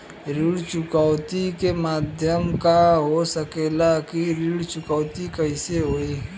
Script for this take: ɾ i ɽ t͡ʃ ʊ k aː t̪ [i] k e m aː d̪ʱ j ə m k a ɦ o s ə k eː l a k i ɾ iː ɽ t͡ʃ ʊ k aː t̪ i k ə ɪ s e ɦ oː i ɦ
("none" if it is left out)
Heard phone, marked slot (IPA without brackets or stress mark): i